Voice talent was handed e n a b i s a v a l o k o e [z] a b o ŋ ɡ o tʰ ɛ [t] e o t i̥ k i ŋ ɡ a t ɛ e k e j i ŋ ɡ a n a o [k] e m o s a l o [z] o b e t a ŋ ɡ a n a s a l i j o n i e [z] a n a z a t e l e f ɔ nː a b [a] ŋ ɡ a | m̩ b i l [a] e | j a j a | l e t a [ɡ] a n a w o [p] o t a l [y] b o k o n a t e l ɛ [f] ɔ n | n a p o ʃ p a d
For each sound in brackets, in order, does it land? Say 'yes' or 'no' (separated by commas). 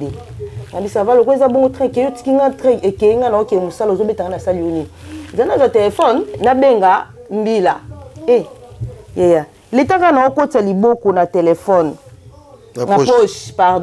yes, no, yes, yes, yes, no, yes, no, no, no, yes